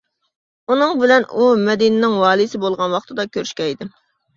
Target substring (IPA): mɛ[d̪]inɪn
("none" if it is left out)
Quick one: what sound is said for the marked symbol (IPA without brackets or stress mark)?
d̪